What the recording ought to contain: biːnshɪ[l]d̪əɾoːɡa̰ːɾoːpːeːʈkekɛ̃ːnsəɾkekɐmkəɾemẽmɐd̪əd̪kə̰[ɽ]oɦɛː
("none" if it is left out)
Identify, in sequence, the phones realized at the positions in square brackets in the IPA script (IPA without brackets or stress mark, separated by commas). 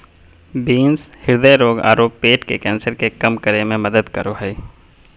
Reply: ɾ, ɾ